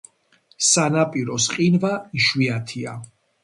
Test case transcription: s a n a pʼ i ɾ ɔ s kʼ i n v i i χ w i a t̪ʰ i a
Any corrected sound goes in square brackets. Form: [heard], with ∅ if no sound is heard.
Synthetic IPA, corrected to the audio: s a n a pʼ i ɾ ɔ s [qʼ] i n v [a] i [ʃ] w i a t̪ʰ i a